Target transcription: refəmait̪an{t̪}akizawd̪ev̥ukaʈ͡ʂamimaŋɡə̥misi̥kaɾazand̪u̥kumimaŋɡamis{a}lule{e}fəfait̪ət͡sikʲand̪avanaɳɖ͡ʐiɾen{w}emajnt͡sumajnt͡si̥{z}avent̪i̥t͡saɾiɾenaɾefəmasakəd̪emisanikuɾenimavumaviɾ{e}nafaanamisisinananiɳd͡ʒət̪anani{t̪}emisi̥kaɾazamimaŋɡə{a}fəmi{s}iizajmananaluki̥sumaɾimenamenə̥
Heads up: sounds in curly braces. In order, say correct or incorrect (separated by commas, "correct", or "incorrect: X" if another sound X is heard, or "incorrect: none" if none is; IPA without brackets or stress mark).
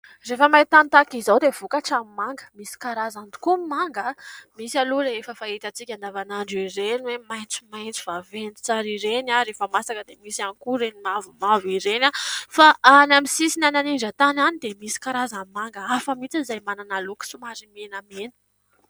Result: correct, correct, correct, correct, incorrect: v, correct, incorrect: d̪, correct, incorrect: t͡s